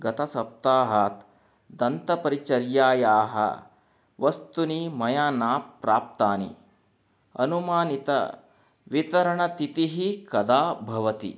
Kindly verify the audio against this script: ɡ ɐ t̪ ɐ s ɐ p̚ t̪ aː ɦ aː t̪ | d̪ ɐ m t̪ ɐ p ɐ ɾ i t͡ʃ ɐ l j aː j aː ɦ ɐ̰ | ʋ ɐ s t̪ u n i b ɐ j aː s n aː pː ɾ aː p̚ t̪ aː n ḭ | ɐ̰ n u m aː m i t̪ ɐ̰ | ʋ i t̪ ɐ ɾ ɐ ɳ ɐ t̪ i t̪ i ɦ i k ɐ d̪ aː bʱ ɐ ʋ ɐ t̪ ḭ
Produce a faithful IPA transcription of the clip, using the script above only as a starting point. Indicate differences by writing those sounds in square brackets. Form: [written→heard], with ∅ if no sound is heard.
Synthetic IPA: ɡ ɐ t̪ ɐ s ɐ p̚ t̪ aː ɦ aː t̪ | d̪ ɐ [m→n] t̪ ɐ p ɐ ɾ i t͡ʃ ɐ [l→ɾ] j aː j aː ɦ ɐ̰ | ʋ ɐ s t̪ u n i [b→m] ɐ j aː [s→∅] n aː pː ɾ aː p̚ t̪ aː n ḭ | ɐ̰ n u m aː [m→n] i t̪ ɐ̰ | ʋ i t̪ ɐ ɾ ɐ ɳ ɐ t̪ i t̪ i ɦ i k ɐ d̪ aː bʱ ɐ ʋ ɐ t̪ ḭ